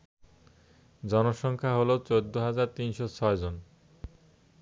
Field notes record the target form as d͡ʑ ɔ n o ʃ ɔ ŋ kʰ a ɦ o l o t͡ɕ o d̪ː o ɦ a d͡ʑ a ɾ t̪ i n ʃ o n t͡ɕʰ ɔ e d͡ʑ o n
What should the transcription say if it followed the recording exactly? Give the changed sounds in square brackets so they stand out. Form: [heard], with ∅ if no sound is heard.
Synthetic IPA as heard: d͡ʑ ɔ n o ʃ ɔ ŋ kʰ a ɦ o l o t͡ɕ o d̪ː o ɦ a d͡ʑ a ɾ t̪ i n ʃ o [∅] t͡ɕʰ ɔ e d͡ʑ o n